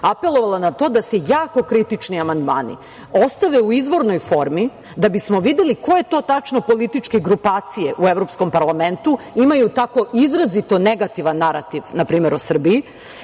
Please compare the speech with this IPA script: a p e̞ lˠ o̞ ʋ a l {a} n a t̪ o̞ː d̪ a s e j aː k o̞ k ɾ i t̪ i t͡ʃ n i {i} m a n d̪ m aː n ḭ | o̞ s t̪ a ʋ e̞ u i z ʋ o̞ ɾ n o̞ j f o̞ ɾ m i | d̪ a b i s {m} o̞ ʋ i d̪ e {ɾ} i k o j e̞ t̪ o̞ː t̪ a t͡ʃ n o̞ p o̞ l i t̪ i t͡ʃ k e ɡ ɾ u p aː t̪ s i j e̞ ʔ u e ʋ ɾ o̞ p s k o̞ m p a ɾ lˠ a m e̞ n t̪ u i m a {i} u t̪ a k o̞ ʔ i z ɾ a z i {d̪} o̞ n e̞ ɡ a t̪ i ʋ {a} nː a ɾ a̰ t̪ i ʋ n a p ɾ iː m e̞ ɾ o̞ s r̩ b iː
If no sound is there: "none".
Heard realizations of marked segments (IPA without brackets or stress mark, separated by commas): a, a, m, l, j, t̪, a